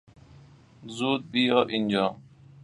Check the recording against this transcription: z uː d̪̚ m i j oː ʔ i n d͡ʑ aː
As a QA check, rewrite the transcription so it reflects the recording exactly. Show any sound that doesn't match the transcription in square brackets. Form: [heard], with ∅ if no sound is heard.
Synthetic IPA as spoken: z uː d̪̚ [b] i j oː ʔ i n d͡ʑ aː